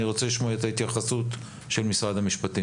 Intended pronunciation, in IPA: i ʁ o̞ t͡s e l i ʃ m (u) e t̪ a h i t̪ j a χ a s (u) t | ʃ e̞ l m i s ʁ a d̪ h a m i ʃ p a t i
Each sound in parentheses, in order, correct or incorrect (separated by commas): incorrect, correct